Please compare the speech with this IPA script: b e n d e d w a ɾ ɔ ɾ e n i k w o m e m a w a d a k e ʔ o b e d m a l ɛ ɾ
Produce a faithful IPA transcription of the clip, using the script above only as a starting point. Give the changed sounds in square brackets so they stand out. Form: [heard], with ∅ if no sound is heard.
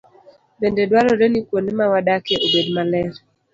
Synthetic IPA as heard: b e n d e d w a ɾ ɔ ɾ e n i k w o [n] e m a w a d a k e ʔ o b e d m a l ɛ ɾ